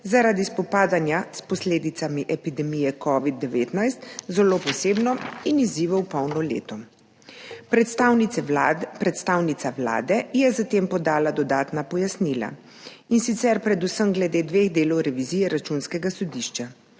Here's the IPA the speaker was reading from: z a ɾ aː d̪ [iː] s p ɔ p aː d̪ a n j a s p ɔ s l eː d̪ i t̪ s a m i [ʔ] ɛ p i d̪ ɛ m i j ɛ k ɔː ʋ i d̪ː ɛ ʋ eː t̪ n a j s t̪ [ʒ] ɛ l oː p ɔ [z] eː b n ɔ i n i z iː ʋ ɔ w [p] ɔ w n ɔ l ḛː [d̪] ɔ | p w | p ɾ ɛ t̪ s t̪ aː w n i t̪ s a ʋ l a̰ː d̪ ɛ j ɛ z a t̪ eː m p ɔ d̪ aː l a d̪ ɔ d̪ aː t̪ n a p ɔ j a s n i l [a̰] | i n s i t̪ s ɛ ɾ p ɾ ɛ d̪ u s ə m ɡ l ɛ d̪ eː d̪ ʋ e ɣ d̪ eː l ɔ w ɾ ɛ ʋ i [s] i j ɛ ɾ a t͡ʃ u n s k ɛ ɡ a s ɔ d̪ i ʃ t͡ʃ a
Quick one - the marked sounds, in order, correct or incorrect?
incorrect, correct, incorrect, incorrect, correct, incorrect, correct, incorrect

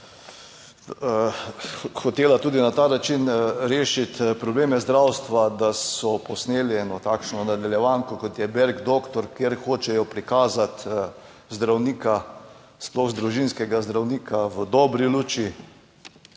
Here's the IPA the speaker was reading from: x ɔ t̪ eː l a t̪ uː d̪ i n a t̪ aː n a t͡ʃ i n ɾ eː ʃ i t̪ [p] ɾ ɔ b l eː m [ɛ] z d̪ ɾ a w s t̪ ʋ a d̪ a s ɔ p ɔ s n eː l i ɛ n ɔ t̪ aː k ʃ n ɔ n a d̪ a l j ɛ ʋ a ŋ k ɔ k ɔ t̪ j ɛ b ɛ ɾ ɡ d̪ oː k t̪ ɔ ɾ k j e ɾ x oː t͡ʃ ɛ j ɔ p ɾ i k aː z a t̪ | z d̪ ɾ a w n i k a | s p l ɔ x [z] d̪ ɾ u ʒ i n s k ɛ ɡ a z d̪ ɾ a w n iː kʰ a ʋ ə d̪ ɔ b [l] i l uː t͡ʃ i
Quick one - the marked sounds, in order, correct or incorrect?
correct, correct, correct, incorrect

